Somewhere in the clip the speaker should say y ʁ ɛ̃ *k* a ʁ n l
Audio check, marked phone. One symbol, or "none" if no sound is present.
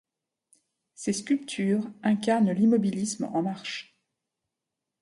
k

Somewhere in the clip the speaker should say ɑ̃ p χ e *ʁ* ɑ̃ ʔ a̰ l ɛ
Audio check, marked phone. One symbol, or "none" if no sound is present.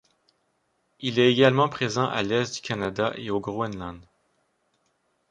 z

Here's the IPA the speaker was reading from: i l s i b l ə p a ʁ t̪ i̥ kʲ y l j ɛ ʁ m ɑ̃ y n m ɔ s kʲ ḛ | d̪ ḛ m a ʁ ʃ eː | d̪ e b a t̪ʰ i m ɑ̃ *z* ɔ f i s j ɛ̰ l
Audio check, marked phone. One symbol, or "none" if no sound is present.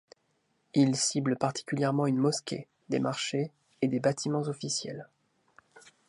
z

